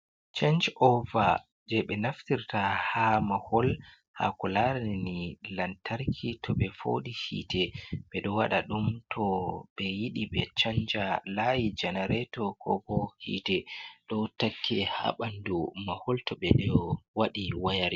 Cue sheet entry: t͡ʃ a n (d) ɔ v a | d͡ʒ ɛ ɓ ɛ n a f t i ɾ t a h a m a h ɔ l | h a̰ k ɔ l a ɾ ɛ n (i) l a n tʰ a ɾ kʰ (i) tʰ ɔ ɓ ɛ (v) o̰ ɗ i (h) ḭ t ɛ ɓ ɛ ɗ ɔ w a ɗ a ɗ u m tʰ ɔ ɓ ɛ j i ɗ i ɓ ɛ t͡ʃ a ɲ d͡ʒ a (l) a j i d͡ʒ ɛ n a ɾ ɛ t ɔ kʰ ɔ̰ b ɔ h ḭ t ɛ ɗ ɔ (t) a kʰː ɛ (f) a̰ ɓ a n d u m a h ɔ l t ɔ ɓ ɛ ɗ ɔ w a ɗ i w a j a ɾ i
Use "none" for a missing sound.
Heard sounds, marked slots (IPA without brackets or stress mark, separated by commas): d͡ʒ, i, i, f, h, l, t, h